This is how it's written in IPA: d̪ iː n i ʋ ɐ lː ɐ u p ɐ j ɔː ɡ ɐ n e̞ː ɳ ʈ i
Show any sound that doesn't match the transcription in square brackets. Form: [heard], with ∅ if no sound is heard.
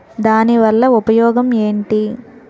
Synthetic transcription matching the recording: d̪ [aː] n i ʋ ɐ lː ɐ u p ɐ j ɔː ɡ ɐ [m] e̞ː ɳ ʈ i